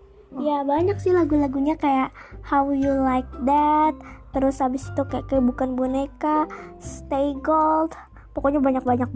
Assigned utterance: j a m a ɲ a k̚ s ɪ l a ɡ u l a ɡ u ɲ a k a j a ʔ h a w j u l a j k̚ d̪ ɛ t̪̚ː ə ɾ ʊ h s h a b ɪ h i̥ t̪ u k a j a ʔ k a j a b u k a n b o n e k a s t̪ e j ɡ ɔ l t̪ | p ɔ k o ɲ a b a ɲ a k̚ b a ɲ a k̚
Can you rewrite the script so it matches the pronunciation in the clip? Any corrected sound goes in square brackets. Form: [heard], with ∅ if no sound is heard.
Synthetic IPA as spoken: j a [b] a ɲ a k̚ s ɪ l a ɡ u l a ɡ u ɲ a k a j a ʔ h a w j u l a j k̚ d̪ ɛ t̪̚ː ə ɾ ʊ [∅] s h a b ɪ [s] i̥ t̪ u k a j a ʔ k a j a b u k a n b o n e k a s t̪ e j ɡ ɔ l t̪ | p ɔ k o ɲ a b a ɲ a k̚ b a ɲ a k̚